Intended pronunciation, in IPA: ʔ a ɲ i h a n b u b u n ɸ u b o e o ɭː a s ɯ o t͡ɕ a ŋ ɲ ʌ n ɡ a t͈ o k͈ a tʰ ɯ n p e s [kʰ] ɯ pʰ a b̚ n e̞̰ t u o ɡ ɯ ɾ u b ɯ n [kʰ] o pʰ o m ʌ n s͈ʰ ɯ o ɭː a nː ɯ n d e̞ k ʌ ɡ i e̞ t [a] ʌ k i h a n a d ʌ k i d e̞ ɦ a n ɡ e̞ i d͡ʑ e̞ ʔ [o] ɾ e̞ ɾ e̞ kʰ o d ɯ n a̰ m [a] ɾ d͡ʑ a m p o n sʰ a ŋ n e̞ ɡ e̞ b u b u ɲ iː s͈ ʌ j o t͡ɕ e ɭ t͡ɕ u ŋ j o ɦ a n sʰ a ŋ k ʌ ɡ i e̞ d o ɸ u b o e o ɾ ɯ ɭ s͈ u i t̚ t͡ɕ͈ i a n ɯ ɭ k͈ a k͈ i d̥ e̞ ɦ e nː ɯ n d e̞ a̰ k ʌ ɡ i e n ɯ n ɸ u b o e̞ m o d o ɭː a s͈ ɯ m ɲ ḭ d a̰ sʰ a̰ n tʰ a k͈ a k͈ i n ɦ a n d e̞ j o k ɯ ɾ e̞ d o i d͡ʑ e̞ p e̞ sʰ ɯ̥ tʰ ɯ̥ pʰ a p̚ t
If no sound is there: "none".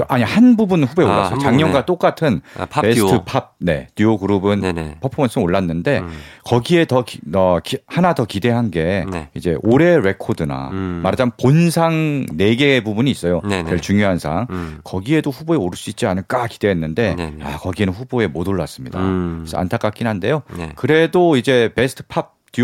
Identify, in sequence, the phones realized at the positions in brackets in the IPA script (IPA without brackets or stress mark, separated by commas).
tʰ, pʰ, ʌ, o, a